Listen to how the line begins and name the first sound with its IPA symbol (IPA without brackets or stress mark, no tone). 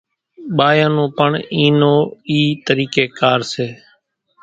ɓ